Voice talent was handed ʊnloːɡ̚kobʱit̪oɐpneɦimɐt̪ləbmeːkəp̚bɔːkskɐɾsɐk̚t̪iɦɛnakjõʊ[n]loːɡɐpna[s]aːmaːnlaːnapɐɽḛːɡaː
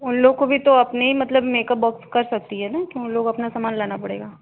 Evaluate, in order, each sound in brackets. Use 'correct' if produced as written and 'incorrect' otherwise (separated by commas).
correct, correct